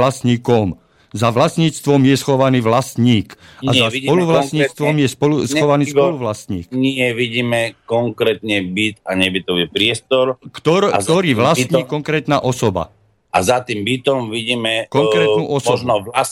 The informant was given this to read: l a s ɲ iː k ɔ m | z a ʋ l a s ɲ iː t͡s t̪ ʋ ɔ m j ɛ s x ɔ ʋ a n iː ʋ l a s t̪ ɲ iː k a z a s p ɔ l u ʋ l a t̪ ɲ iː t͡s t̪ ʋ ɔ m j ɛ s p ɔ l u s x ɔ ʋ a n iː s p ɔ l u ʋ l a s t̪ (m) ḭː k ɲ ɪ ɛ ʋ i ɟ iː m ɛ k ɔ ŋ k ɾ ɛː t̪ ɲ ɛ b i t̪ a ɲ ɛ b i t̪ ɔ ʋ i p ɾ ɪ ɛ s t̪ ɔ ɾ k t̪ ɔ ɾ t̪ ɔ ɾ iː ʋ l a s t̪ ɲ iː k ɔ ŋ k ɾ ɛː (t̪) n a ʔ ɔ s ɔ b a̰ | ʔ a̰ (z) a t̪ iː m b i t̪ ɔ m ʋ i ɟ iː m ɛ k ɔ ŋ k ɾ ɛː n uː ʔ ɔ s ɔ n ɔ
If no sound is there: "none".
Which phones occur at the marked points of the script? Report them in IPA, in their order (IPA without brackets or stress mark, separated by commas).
ɲ, t̪, z